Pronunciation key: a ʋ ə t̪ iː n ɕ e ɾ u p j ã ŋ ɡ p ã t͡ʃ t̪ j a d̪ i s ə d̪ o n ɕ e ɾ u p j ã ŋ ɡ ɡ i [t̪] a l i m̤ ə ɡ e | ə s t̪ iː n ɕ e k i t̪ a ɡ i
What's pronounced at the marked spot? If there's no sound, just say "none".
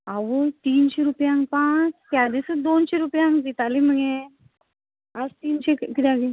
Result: t̪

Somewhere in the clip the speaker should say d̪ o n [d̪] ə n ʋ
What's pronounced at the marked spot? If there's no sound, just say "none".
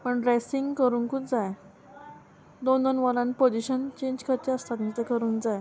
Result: d̪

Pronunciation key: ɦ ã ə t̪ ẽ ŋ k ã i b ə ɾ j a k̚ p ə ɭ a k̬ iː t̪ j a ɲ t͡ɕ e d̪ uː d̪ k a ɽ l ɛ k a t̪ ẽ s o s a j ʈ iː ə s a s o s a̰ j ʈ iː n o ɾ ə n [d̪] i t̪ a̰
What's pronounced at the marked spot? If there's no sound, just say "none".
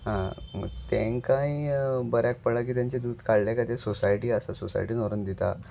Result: d̪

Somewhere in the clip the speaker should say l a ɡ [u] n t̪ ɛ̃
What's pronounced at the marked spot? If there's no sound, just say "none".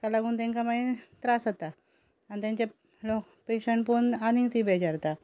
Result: uː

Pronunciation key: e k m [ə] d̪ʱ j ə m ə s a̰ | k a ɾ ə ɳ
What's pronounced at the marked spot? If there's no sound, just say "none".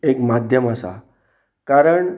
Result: a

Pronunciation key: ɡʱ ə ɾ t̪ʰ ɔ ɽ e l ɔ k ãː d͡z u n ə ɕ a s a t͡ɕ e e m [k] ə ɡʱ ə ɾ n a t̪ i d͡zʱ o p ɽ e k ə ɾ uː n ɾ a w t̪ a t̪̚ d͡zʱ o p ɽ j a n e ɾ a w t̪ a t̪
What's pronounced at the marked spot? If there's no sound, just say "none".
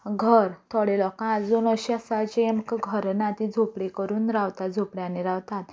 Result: k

